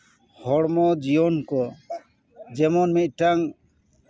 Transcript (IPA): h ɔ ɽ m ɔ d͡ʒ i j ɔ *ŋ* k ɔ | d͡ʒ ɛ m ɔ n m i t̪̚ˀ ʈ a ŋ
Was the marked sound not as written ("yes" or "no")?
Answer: yes